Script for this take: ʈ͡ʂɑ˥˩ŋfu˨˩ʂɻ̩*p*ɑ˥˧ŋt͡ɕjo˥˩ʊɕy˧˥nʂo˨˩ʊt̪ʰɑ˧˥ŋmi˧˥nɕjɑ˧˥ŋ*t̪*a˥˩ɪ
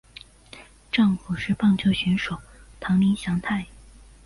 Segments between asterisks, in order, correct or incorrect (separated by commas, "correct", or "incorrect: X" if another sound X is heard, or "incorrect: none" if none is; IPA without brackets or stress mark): correct, incorrect: t̪ʰ